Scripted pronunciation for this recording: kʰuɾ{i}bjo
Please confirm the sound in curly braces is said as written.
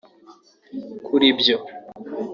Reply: yes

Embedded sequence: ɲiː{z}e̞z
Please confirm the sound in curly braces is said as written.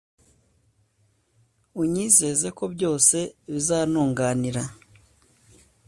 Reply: yes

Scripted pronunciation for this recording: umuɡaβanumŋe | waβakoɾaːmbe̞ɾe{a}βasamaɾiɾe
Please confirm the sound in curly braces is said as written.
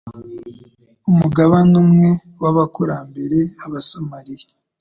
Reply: yes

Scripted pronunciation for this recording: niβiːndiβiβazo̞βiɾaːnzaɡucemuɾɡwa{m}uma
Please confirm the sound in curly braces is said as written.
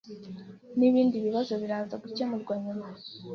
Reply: no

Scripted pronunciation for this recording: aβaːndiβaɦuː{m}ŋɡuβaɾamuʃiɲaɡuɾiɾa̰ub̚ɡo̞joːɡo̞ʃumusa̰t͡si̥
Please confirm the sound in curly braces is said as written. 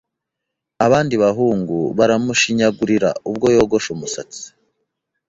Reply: no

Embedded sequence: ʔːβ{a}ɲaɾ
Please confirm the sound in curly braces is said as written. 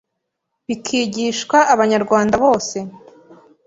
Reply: yes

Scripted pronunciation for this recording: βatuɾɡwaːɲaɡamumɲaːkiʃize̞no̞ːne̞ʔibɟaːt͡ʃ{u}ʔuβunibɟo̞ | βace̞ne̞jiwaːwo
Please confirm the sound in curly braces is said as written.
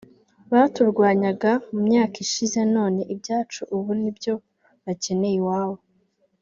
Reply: yes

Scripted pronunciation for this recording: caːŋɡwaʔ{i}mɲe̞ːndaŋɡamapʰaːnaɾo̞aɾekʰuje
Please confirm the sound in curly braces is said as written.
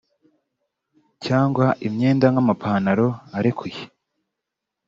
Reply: yes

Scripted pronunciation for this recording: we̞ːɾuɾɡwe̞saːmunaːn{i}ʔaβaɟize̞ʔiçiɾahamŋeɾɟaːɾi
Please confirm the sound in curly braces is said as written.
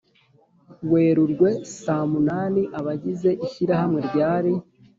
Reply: yes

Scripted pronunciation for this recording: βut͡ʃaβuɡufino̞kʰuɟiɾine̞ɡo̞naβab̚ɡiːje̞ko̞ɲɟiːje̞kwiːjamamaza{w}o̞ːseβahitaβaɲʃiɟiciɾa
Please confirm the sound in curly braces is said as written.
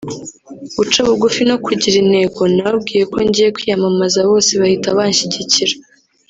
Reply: no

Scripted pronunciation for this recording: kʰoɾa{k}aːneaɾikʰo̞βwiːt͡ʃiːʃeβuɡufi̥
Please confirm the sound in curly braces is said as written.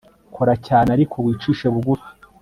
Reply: no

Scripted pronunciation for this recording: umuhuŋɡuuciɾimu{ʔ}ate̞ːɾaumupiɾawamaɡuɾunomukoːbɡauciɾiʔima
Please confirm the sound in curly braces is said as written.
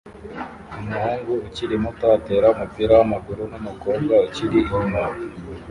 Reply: no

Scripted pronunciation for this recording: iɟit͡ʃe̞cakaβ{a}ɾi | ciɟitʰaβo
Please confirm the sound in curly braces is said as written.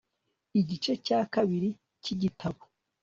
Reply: no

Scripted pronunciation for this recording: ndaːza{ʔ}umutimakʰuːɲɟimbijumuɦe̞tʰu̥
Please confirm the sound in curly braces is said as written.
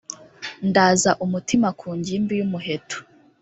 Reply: yes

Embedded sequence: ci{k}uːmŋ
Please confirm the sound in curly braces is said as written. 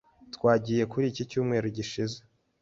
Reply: no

